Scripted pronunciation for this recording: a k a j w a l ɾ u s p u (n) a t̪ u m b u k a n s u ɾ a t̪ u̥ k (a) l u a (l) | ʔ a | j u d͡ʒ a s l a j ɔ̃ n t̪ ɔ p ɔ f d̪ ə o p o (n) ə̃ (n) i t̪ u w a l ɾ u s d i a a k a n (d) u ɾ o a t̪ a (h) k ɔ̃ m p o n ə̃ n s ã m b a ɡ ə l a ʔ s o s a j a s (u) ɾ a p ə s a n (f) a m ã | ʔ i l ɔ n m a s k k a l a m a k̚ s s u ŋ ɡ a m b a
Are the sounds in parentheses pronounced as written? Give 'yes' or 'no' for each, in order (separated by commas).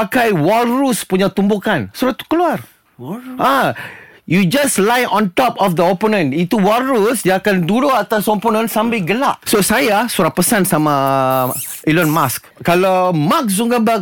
no, no, no, yes, yes, yes, no, yes, no